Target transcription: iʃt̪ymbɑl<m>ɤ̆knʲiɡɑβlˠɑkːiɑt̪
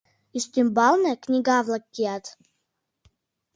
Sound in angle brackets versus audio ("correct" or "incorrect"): incorrect